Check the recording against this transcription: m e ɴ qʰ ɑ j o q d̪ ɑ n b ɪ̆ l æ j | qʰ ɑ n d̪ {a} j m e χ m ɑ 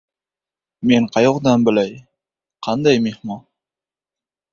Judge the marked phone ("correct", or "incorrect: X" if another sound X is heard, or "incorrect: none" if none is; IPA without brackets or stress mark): incorrect: ɑ